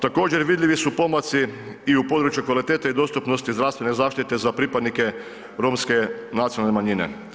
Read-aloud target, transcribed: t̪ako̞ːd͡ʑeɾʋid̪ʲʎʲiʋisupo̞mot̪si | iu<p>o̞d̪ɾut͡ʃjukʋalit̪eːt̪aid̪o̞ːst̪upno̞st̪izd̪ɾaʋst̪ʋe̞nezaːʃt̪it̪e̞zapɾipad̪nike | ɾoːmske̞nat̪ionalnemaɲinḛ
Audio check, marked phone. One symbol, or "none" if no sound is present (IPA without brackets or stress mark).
p